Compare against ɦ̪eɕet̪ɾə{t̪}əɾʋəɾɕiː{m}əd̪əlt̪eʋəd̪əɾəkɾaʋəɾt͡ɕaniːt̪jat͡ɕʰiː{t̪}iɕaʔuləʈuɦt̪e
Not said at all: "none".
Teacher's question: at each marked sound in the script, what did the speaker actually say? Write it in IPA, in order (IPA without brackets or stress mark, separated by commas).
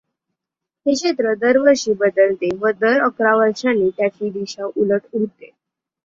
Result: d̪, b, d̪